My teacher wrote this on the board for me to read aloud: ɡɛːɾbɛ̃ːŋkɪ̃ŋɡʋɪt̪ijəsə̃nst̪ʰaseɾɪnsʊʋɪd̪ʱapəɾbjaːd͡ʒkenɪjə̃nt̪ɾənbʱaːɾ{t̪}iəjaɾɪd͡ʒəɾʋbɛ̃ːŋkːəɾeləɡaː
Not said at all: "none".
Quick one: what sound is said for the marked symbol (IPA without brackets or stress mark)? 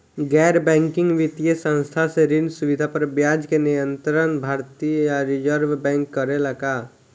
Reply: t̪